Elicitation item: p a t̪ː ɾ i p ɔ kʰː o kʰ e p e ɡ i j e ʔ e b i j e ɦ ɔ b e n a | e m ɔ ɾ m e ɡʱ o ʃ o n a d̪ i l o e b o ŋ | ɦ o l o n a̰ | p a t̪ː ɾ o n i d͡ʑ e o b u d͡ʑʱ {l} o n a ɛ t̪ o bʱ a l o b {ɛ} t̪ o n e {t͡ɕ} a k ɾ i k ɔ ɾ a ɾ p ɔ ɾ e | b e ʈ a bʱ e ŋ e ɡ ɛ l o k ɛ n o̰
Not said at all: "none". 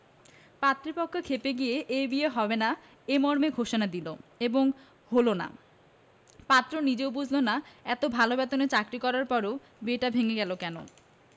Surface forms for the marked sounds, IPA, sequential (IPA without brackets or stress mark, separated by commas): l, ɛ, t͡ɕ